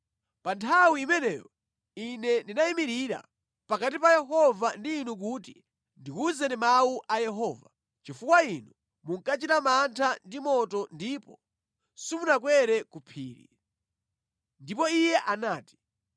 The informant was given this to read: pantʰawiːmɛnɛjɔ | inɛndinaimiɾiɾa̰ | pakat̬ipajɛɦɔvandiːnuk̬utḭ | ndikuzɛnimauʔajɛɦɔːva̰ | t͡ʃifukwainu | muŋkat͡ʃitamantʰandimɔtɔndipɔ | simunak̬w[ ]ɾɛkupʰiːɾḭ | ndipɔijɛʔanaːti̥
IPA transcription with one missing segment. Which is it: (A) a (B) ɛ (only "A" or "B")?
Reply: B